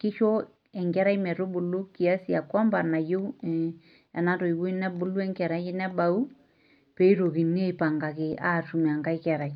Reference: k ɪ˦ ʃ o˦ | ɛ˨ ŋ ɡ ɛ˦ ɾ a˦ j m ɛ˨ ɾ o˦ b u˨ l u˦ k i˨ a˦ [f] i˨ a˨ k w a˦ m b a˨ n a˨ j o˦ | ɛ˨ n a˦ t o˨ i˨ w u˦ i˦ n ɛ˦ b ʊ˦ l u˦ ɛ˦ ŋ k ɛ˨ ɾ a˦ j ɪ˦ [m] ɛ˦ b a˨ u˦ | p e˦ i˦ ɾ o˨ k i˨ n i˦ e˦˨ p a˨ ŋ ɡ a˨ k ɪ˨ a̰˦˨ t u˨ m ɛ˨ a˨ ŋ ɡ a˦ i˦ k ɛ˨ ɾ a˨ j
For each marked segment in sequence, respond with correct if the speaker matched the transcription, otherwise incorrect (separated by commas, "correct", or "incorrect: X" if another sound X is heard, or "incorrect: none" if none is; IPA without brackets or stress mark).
incorrect: s, incorrect: n